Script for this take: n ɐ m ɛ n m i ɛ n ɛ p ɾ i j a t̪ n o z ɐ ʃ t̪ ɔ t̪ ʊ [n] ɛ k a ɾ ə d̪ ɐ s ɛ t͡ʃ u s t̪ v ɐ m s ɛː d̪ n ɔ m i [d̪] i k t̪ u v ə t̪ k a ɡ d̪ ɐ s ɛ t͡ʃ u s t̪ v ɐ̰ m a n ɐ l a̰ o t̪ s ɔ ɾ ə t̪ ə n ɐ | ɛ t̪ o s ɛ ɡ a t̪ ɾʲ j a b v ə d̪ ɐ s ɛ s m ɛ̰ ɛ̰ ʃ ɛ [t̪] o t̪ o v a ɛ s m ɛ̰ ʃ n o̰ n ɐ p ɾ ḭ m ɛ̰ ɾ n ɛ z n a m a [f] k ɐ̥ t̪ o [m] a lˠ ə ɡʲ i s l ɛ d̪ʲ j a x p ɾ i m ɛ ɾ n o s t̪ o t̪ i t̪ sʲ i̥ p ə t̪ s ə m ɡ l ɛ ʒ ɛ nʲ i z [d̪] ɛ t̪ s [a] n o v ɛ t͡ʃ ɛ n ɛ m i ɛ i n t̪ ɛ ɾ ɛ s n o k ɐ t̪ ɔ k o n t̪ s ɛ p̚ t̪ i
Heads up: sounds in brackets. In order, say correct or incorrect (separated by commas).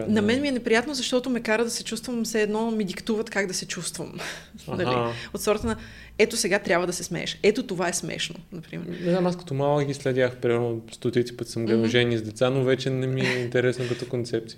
incorrect, correct, correct, incorrect, correct, correct, correct